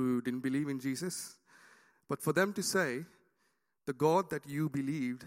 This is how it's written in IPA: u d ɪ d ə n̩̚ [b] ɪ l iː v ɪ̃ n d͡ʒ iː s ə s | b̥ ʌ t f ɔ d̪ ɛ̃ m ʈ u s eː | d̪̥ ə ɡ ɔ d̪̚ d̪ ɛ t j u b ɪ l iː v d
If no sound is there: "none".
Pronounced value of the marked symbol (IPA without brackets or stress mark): b